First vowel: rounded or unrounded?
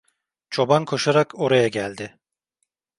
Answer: rounded